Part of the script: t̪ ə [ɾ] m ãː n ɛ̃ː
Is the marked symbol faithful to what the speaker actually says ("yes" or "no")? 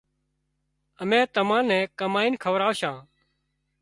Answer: no